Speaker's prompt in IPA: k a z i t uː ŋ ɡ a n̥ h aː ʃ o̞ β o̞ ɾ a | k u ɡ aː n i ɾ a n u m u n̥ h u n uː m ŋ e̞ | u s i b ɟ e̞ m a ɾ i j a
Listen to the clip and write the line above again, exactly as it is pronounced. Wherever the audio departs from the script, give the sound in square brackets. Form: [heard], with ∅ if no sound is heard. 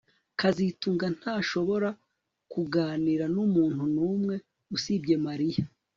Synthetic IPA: k a z i t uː ŋ ɡ a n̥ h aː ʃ o̞ β o̞ ɾ a | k u ɡ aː n i ɾ a n u m [uː] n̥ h u n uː m ŋ e̞ | u s i b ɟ e̞ m a ɾ i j a